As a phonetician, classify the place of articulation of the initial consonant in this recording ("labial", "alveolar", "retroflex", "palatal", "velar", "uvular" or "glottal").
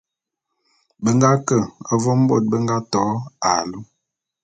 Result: labial